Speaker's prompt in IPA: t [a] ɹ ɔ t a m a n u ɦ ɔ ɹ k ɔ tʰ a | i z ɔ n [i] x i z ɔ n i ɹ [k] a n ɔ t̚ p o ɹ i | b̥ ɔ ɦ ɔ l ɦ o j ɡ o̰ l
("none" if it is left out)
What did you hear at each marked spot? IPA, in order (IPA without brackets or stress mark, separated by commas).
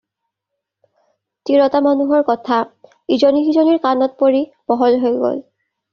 i, i, k